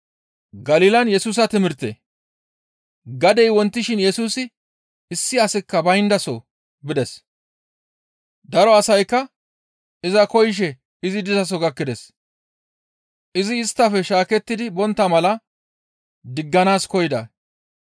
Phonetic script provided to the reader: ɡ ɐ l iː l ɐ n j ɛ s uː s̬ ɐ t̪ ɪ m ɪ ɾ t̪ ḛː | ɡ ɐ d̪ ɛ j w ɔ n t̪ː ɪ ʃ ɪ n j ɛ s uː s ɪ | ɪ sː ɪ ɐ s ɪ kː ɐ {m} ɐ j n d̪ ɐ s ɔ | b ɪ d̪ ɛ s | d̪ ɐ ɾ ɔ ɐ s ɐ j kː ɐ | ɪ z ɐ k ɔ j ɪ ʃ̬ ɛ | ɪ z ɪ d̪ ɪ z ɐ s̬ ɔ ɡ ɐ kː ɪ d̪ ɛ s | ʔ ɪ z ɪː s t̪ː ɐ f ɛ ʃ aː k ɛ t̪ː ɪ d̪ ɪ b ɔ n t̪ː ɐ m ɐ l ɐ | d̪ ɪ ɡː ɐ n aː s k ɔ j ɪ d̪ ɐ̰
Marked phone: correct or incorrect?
incorrect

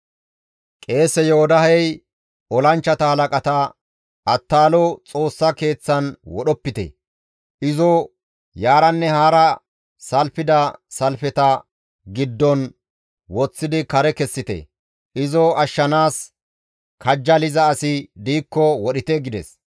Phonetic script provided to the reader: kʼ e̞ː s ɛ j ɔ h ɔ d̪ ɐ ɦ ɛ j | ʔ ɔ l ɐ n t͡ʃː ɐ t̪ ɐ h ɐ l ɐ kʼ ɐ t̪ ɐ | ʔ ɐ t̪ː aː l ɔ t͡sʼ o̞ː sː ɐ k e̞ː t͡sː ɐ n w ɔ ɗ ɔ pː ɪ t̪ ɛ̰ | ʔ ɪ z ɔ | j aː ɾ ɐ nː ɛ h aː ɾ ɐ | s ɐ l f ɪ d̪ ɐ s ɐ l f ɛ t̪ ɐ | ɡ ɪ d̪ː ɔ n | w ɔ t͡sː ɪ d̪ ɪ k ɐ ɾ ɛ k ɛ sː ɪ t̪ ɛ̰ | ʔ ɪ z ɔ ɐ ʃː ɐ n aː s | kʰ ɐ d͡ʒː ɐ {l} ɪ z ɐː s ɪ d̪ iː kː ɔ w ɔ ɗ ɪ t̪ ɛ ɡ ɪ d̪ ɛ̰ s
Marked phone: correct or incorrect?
correct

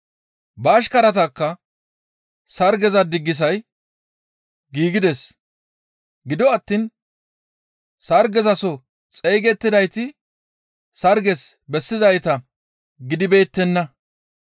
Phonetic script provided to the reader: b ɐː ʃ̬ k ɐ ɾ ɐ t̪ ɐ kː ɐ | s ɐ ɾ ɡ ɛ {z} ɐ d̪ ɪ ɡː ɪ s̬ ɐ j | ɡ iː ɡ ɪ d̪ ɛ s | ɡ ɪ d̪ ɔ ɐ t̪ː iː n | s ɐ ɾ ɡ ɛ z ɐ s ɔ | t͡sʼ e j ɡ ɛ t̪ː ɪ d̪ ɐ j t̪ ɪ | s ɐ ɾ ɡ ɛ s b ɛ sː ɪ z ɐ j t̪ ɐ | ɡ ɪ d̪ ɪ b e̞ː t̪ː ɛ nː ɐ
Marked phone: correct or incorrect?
correct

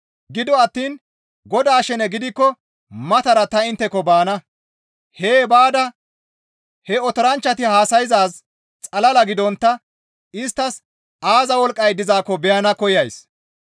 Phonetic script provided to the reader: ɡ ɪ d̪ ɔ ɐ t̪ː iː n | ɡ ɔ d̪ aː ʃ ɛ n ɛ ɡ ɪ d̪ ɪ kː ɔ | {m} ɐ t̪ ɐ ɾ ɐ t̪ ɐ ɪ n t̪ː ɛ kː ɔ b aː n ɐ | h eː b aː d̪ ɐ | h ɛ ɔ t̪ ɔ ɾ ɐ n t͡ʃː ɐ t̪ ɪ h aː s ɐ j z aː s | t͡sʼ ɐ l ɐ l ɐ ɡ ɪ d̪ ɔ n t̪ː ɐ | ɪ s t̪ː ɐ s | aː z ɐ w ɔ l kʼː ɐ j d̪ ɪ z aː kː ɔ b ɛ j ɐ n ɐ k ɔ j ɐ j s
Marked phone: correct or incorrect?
correct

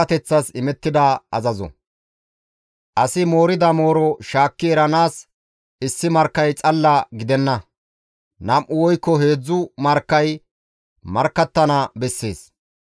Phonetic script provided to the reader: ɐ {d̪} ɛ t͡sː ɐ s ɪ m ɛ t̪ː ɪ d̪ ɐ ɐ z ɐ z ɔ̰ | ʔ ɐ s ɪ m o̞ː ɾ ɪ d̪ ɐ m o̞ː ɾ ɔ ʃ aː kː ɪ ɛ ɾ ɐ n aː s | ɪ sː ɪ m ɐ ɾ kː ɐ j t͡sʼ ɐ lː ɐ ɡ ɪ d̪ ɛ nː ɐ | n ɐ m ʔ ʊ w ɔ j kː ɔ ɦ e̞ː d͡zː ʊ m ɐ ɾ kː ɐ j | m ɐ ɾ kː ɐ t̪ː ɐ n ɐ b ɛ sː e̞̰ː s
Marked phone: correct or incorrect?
incorrect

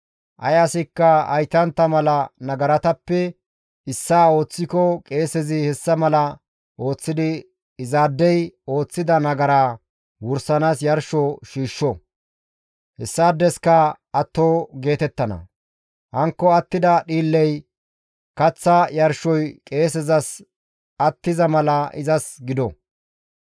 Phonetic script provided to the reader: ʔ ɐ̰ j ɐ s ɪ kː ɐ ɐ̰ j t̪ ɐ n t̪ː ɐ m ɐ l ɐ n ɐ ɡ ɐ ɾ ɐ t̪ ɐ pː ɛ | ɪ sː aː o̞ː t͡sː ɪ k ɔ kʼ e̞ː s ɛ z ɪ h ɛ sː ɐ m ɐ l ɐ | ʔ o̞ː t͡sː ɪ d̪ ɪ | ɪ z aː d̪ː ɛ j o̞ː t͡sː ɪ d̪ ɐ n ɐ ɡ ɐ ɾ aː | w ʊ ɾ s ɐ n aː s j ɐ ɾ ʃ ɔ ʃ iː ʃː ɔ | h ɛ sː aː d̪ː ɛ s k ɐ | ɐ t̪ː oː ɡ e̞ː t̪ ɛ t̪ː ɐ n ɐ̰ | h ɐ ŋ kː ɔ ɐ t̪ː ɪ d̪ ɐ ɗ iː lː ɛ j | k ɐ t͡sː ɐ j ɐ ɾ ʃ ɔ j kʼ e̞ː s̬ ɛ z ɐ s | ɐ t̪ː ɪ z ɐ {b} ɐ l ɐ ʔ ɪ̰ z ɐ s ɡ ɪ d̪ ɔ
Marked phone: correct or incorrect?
incorrect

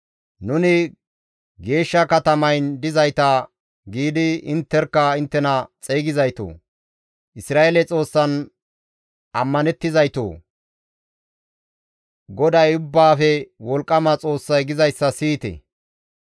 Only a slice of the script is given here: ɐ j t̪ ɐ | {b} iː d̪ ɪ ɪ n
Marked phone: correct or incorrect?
incorrect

